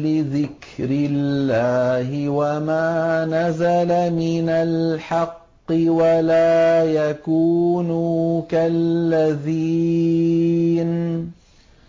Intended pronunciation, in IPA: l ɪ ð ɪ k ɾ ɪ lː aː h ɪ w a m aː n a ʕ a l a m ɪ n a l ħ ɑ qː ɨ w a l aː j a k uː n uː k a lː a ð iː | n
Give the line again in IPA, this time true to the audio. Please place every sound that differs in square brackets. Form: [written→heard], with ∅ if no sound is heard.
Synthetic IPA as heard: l ɪ ð ɪ k ɾ ɪ lː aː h ɪ w a m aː n a [ʕ→z] a l a m ɪ n a l ħ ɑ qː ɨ w a l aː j a k uː n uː k a lː a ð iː | n